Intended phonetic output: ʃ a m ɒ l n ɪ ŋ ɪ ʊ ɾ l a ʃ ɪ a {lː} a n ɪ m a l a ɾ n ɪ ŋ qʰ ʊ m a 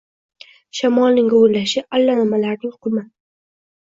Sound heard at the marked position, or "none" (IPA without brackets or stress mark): lː